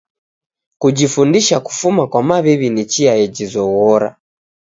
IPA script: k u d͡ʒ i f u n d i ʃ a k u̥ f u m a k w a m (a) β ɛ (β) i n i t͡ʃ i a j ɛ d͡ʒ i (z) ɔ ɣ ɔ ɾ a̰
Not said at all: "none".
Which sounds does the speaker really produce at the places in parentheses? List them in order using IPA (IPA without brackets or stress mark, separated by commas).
a, β, z